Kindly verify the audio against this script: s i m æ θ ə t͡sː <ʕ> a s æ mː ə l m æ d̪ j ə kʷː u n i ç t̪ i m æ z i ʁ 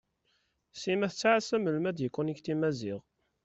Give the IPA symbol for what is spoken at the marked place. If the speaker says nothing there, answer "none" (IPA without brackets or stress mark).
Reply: ʕ